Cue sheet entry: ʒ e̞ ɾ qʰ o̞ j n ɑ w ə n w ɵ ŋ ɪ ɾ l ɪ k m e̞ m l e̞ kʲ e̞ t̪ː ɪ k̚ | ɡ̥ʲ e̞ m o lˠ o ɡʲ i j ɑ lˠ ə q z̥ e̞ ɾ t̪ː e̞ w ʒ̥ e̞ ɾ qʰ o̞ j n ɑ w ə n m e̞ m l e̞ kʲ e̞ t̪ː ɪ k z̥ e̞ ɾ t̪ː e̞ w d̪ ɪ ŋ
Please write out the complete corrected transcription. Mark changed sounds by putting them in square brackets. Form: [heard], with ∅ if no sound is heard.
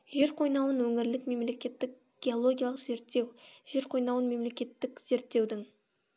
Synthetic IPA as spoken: ʒ e̞ ɾ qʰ o̞ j n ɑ w ə n w ɵ ŋ ɪ ɾ l ɪ k m e̞ m l e̞ kʲ e̞ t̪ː ɪ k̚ | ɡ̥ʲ e̞ [∅] o lˠ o ɡʲ i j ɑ lˠ ə q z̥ e̞ ɾ t̪ː e̞ w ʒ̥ e̞ ɾ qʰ o̞ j n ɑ w ə n m e̞ m l e̞ kʲ e̞ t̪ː ɪ k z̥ e̞ ɾ t̪ː e̞ w d̪ ɪ ŋ